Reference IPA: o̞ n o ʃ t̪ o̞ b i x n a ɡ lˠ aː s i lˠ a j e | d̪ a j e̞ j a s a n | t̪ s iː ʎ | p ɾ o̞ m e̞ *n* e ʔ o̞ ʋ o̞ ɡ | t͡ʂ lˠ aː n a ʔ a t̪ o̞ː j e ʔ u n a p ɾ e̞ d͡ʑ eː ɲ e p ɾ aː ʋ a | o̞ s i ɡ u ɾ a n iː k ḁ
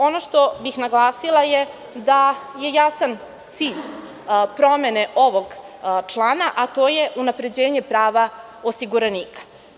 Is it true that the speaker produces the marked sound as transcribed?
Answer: yes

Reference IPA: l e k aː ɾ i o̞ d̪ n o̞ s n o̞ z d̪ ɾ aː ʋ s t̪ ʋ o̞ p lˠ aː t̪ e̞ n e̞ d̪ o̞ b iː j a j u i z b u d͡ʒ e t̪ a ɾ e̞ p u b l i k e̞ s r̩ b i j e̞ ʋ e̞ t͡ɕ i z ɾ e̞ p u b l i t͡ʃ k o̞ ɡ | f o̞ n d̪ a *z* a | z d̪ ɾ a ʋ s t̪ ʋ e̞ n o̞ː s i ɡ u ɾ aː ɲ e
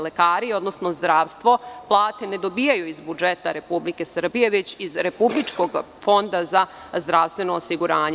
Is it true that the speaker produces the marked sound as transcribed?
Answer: yes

